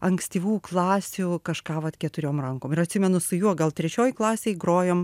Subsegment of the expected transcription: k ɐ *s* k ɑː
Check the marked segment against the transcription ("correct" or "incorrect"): incorrect